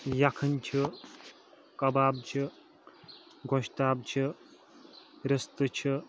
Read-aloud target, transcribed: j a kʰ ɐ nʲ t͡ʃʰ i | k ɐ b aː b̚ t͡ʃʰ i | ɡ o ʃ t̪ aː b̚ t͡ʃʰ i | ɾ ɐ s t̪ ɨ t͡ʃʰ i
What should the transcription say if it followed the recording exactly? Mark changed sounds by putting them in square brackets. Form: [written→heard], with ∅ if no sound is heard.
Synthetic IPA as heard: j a kʰ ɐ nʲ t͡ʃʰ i | k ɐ b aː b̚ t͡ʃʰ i | ɡ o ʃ t̪ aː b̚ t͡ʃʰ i | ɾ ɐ s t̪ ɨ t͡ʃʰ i